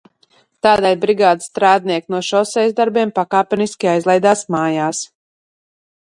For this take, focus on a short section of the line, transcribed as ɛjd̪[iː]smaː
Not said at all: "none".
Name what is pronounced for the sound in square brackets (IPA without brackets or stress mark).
aː